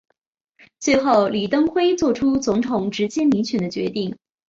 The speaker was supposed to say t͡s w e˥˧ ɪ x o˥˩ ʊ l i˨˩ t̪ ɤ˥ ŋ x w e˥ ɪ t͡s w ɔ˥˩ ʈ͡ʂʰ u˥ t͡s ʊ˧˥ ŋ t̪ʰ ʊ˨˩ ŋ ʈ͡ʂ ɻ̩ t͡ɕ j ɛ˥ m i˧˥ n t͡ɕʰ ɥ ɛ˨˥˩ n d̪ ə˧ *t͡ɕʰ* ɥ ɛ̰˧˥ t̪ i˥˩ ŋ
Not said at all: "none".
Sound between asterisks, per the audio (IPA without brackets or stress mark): t͡ɕ